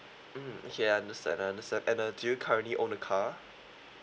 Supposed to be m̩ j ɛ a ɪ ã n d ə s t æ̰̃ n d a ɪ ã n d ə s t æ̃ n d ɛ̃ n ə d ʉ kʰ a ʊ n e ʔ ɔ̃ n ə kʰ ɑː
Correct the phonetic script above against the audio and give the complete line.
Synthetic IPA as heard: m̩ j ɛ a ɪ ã n d ə s t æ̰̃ n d a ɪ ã n d ə s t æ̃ n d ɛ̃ n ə d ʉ kʰ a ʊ n i ʔ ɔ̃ n ə kʰ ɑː